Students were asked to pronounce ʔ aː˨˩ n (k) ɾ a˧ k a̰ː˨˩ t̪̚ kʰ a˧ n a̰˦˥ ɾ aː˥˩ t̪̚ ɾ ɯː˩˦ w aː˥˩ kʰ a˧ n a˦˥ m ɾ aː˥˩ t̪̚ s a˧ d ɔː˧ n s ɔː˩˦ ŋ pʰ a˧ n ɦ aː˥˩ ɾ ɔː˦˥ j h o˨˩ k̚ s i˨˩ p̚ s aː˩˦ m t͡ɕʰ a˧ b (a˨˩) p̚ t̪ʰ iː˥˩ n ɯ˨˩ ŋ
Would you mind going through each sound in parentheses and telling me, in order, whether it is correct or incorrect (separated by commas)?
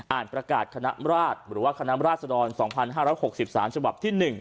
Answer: incorrect, correct